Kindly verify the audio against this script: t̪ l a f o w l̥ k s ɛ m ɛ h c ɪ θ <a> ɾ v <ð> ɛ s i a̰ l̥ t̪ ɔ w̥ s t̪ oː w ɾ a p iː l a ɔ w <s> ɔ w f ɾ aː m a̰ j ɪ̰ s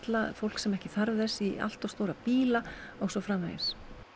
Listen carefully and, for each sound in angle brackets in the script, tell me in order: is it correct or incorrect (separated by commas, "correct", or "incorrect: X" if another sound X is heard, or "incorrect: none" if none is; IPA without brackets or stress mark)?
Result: correct, correct, correct